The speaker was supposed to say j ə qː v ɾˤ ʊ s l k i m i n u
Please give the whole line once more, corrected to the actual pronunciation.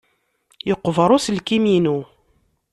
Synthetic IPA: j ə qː v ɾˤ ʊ s l k i m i n u